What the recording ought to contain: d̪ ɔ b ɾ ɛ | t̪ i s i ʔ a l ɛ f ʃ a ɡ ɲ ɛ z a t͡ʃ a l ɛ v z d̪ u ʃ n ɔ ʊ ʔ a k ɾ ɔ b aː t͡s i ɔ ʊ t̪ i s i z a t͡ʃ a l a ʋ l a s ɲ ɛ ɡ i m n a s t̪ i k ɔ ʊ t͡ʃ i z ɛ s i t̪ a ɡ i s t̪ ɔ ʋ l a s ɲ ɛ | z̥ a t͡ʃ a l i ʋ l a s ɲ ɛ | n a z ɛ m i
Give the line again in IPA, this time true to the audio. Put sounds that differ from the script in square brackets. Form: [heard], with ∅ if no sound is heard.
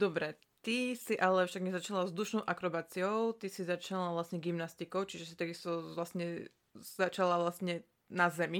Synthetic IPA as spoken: d̪ ɔ b ɾ ɛ | t̪ i s i ʔ a l ɛ f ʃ a ɡ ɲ ɛ z a t͡ʃ a l [a] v z d̪ u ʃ n ɔ ʊ ʔ a k ɾ ɔ b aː t͡s i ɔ ʊ t̪ i s i z a t͡ʃ a l a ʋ l a s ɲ ɛ ɡ i m n a s t̪ i k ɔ ʊ t͡ʃ i [ʒ] ɛ s i t̪ a ɡ i s t̪ ɔ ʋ l a s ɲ ɛ | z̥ a t͡ʃ a l [a] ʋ l a s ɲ ɛ | n a z ɛ m i